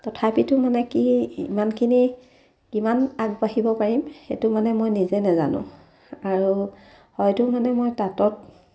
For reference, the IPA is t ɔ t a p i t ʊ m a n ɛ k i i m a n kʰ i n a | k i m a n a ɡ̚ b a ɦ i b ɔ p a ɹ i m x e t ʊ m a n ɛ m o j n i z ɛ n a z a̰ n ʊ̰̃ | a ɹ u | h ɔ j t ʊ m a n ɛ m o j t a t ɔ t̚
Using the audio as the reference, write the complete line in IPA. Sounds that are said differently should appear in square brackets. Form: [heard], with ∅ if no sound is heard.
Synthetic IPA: t ɔ [tʰ] a p i t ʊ m a n ɛ k i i m a n kʰ i n [i] | k i m a n a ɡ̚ b a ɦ i b ɔ p a ɹ i m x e t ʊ m a n ɛ m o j n i z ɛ n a z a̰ n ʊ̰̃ | a ɹ u | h ɔ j t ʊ m a n ɛ m o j t a t ɔ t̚